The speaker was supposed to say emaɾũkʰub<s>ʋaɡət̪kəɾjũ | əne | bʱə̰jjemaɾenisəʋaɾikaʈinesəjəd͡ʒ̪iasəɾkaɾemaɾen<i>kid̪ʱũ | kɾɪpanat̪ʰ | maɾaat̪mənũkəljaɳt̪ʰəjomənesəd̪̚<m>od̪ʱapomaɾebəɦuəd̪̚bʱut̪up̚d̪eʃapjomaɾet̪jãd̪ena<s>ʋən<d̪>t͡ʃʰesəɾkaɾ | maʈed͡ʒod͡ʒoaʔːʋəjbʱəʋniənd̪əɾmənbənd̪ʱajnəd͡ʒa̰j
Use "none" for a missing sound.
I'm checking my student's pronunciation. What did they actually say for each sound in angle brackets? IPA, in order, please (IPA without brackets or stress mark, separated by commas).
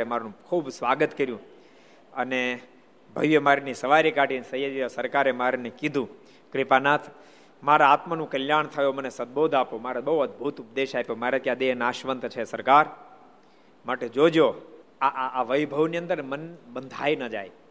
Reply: s, e, b, ʃ, t̪